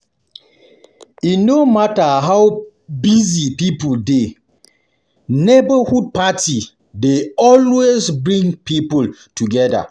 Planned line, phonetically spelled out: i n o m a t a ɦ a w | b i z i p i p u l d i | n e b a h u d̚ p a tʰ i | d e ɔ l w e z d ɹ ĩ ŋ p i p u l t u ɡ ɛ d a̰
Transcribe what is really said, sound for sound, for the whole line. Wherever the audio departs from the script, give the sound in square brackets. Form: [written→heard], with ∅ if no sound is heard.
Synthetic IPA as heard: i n o m a t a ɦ a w | b i z i p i p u l d [i→e] | n e b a h u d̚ p a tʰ i | d e ɔ l w e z [d→b] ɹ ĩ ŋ p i p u l t u ɡ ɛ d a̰

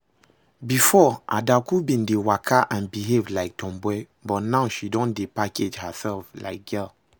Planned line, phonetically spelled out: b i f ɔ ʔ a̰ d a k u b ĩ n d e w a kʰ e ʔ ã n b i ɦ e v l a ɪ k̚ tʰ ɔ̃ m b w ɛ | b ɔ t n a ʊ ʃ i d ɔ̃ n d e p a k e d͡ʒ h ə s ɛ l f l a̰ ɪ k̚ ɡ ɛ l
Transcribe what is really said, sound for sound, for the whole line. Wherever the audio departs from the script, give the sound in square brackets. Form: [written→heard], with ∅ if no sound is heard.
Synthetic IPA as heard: b i f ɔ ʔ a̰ d a k u b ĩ n d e w a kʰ [e→a] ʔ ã n b i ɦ e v l a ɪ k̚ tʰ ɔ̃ m b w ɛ | b ɔ t n a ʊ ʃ i d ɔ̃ n d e p a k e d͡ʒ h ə s ɛ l f l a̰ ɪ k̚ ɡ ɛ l

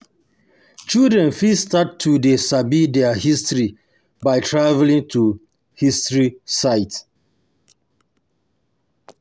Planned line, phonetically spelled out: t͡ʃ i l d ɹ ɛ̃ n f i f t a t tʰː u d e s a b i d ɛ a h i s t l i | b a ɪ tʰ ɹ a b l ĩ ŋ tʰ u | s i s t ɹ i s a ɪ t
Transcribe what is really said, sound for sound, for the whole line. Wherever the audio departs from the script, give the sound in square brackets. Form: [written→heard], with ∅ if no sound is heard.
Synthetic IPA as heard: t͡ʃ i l d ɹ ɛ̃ n f i [f→s] t a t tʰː u d e s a b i d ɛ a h i s t [l→ɹ] i | b a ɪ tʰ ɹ a [b→v] l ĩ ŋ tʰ u | [s→h] i s t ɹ i s a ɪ t

